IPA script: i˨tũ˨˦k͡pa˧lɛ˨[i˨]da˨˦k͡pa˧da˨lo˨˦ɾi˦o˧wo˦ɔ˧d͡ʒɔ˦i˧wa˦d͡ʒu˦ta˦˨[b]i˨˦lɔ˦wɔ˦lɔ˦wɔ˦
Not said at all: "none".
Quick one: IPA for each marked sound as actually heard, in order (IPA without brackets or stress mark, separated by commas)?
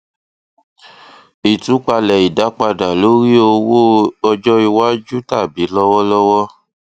i˨, b